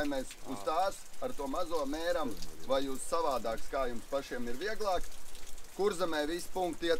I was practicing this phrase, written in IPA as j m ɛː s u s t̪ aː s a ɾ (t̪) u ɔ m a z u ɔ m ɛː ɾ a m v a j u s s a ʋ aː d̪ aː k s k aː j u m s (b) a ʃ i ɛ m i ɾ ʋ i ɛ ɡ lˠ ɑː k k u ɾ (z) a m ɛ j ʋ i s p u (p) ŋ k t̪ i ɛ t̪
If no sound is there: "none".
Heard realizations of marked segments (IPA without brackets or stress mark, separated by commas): t̪, p, z, none